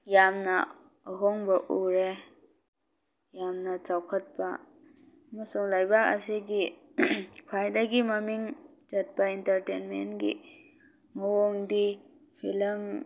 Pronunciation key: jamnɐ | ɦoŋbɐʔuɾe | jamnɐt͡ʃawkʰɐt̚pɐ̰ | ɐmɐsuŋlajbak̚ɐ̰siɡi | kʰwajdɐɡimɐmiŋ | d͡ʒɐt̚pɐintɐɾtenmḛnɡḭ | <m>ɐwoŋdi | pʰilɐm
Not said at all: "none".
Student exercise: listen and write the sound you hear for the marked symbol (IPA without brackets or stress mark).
m